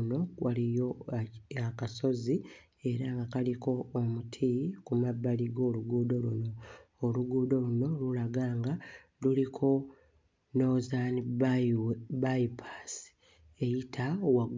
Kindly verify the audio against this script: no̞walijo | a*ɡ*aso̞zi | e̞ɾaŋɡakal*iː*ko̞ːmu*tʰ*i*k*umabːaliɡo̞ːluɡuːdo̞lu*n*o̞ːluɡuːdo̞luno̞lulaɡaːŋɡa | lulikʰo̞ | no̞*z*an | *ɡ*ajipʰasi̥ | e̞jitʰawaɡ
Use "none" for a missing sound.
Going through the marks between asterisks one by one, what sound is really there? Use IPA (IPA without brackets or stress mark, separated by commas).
k, i, tʰ, k, n, z, b